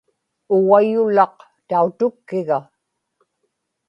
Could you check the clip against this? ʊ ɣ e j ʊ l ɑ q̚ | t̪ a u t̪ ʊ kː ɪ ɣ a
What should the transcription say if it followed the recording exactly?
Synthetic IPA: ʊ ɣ a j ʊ l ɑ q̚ | t̪ a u t̪ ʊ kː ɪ ɣ a

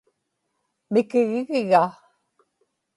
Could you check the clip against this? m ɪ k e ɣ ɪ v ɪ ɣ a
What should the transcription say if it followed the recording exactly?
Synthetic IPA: m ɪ k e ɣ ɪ ɣ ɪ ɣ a

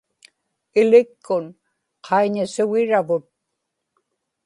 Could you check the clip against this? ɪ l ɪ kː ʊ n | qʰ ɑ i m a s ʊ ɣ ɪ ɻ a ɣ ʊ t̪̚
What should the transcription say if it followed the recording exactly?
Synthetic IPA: ɪ l ɪ kː ʊ n | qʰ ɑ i ɲ a s ʊ ɣ ɪ ɻ a v ʊ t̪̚

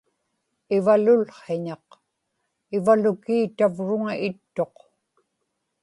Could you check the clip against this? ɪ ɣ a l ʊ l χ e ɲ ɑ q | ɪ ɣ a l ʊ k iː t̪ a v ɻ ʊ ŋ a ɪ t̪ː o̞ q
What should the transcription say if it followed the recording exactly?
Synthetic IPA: ɪ v a l ʊ l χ e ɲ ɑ q | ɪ v a l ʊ k iː t̪ a v ɻ ʊ ŋ a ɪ t̪ː o̞ q

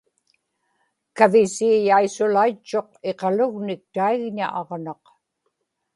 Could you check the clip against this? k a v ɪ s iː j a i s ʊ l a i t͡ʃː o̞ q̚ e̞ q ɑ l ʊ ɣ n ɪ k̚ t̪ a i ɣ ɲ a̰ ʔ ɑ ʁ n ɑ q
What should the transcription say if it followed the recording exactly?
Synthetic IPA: k a v ɪ s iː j a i s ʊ l a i t͡ʃː o̞ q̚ e̞ q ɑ l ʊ ɣ n ɪ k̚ t̪ a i ɣ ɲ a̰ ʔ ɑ ʁ n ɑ q

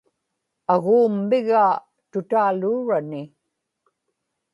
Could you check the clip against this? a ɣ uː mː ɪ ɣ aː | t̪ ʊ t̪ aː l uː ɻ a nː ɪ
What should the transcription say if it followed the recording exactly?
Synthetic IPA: a ɣ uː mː ɪ ɣ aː | t̪ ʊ t̪ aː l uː ɻ a n ɪ

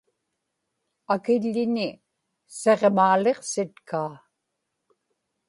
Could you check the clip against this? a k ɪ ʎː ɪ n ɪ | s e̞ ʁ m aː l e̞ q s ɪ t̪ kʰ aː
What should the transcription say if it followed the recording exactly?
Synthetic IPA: a k ɪ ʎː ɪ n ɪ | s e̞ ʁ m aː l e̞ q s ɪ t̪ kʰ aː

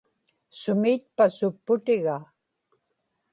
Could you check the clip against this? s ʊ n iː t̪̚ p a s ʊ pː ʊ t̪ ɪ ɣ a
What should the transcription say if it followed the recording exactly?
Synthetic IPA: s ʊ m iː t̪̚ p a s ʊ pː ʊ t̪ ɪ ɣ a

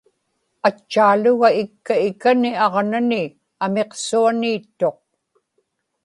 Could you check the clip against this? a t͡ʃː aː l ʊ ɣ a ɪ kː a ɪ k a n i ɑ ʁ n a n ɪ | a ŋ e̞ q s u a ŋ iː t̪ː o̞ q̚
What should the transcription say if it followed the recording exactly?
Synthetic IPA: a t͡ʃː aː l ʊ ɣ a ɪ kː a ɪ k a n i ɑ ʁ n a n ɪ | a m e̞ q s u a n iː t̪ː o̞ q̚

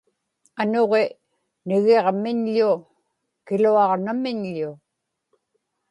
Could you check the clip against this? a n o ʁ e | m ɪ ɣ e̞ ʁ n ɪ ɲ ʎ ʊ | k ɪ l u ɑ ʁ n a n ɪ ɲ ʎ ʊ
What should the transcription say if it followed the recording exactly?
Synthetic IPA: a n o ʁ e | n ɪ ɣ e̞ ʁ m ɪ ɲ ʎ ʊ | k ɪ l u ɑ ʁ n a m ɪ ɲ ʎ ʊ

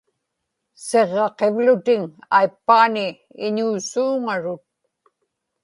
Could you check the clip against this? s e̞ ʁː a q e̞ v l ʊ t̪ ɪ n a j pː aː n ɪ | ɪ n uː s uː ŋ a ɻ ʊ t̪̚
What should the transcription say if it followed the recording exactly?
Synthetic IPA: s e̞ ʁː ɑ q e̞ v l ʊ t̪ ɪ ŋ a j pː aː n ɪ | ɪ ɲ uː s uː ŋ a ɻ ʊ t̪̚

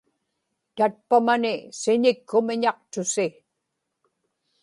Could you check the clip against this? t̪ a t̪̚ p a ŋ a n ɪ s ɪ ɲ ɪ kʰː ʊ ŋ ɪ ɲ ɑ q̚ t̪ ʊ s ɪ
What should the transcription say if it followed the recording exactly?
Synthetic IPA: t̪ a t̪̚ p a m a n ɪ s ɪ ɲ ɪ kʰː ʊ m ɪ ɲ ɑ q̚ t̪ ʊ s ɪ

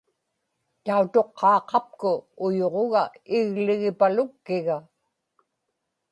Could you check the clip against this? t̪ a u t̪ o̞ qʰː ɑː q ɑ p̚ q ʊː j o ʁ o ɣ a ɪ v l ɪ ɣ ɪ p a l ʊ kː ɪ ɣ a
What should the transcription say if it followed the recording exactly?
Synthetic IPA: t̪ a u t̪ o̞ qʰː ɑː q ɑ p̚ k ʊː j o ʁ o ɣ a ɪ ɣ l ɪ ɣ ɪ p a l ʊ kː ɪ ɣ a

